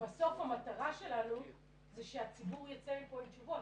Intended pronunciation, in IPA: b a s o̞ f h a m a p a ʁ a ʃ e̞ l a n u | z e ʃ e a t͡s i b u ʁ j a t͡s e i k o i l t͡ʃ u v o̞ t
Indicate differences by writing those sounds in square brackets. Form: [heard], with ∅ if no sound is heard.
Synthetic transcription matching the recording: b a s o̞ f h a m a [t] a ʁ a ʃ e̞ l a n u | z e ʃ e a t͡s i b u ʁ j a t͡s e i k o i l t͡ʃ u v o̞ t